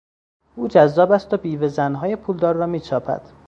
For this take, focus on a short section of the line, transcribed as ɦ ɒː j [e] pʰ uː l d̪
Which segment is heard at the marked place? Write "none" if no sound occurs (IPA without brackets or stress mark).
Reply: e